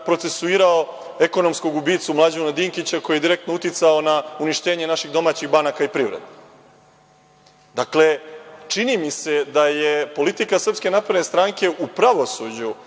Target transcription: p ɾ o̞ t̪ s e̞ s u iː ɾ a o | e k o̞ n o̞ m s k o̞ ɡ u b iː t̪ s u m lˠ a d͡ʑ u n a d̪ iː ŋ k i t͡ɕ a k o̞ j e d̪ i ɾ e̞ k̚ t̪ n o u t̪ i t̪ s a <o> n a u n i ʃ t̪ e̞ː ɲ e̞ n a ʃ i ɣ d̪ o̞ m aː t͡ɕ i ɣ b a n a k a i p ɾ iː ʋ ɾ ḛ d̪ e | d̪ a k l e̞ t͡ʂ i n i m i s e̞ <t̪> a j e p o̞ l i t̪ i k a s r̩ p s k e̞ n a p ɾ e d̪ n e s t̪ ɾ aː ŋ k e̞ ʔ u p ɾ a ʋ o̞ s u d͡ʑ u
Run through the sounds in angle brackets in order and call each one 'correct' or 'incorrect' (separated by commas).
correct, incorrect